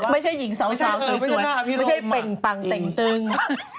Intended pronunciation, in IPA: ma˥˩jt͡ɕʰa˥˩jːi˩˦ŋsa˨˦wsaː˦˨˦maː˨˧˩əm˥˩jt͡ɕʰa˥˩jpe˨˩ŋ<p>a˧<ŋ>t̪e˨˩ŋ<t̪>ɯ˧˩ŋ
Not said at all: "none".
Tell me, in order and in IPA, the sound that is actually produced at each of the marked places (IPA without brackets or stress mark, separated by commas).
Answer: p, ŋ, t̪